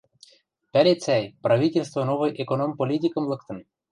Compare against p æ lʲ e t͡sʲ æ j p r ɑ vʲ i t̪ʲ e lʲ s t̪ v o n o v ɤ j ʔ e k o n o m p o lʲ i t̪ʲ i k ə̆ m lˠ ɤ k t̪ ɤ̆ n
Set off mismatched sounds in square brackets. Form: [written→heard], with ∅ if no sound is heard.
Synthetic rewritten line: p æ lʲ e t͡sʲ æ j p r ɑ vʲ i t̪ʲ e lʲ s t̪ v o n o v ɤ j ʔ e k o n o m p o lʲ i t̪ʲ i k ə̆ m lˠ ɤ k t̪ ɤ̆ n